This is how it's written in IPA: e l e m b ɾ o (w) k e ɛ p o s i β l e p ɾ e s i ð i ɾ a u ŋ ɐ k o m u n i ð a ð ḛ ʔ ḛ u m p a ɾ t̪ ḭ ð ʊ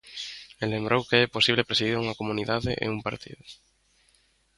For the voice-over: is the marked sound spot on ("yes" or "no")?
yes